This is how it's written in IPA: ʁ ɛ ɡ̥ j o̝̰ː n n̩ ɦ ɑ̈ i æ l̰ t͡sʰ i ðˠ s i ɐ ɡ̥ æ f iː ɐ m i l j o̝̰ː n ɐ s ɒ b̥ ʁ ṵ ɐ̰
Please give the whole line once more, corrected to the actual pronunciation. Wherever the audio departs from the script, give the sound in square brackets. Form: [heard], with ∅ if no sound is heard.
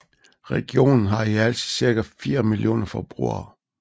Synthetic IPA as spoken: ʁ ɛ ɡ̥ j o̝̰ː n n̩ ɦ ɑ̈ i æ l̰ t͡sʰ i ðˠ s i ɐ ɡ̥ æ f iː ɐ m i l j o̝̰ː n ɐ [f] ɒ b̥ ʁ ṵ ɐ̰